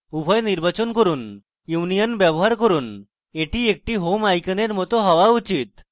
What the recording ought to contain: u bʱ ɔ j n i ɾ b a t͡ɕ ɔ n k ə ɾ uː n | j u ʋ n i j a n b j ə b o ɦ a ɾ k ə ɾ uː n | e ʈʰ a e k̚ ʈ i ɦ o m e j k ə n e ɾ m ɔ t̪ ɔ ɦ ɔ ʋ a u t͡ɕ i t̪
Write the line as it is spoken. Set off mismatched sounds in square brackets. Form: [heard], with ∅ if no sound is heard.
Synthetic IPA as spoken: u bʱ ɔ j n i ɾ b a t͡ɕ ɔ n k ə ɾ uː n | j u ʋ n i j [ə] n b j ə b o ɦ a ɾ k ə ɾ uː n | e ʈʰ [i] e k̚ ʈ i ɦ o m [a] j k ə n e ɾ m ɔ t̪ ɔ ɦ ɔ ʋ a u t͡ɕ i t̪